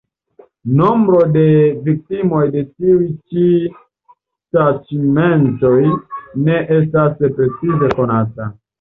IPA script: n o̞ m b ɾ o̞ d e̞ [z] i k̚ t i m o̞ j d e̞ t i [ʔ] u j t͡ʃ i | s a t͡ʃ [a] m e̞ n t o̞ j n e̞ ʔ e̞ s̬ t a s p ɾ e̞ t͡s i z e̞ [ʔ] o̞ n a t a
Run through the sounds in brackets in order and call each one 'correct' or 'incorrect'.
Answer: incorrect: v, incorrect: none, incorrect: i, incorrect: k

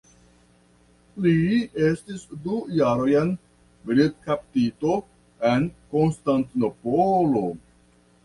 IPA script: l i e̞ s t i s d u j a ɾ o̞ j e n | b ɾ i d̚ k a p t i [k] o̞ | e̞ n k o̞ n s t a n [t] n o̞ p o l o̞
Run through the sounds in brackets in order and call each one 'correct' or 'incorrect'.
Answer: incorrect: t, correct

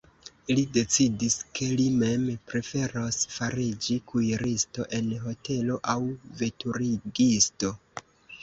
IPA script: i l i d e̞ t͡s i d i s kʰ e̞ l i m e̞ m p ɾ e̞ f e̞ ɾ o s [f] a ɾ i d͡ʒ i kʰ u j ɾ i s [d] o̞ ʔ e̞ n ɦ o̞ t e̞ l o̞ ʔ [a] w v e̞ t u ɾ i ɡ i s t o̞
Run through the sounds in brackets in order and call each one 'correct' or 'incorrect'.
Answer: correct, incorrect: t, correct

